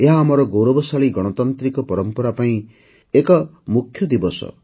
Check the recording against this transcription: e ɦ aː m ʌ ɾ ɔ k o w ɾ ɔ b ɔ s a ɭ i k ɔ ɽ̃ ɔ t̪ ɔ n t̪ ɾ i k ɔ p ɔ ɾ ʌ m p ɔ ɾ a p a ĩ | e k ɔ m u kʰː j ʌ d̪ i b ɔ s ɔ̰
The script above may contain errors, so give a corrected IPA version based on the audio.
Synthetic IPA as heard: e ɦ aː m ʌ ɾ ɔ ɡ o w ɾ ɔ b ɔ s a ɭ i ɡ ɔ ɽ̃ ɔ t̪ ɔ n t̪ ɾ i k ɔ p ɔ ɾ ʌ m p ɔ ɾ a p a ĩ | e k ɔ m u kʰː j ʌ d̪ i b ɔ s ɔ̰